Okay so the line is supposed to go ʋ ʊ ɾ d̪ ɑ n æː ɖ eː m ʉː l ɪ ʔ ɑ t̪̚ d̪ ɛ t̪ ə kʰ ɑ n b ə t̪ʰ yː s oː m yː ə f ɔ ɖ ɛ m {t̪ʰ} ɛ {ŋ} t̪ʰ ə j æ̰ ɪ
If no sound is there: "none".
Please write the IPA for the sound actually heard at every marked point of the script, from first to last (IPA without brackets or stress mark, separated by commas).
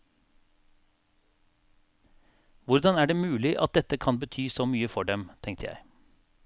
t̪ʰ, ŋ